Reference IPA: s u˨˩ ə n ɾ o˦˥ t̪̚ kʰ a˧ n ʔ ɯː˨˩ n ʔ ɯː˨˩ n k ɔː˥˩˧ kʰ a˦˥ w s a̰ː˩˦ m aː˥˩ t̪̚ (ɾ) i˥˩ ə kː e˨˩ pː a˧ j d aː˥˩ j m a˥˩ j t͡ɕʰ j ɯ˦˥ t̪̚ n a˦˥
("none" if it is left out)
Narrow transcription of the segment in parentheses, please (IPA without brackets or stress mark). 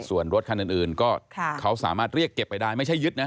ɾ